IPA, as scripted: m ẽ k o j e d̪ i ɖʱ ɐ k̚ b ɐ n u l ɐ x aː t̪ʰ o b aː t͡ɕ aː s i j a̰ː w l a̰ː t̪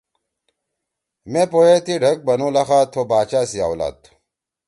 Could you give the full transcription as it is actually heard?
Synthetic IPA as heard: m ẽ p o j e t̪ i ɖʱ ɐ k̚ b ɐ n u l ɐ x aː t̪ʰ o b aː t͡ɕ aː s i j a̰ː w l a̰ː t̪

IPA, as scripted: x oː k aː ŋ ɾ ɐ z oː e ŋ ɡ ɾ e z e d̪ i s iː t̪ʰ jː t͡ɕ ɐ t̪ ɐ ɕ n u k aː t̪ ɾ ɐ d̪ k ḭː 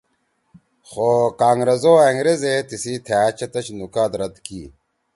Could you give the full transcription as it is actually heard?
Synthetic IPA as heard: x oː k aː ŋ ɾ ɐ z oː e ŋ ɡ ɾ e z e t̪ i s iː t̪ʰ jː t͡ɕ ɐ t̪ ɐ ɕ n u k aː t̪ ɾ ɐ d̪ k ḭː

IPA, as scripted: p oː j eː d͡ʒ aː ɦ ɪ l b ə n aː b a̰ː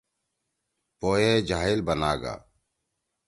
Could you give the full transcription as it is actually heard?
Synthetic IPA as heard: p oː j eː d͡ʒ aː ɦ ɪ l b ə n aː ɡ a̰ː

